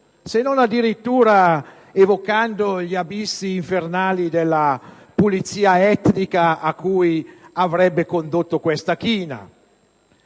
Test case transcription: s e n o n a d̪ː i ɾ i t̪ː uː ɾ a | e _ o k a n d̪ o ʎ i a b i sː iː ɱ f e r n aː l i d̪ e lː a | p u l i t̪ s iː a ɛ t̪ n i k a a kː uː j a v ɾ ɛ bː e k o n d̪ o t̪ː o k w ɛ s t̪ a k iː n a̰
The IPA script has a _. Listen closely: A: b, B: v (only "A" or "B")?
B